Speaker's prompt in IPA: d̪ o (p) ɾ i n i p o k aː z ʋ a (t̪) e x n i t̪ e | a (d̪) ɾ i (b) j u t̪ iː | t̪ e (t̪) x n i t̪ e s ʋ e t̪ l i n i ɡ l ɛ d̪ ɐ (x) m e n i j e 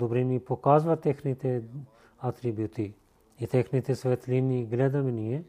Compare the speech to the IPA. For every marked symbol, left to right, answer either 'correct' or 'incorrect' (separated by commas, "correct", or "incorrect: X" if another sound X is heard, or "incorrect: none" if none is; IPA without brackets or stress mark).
incorrect: b, correct, incorrect: t̪, correct, incorrect: none, incorrect: none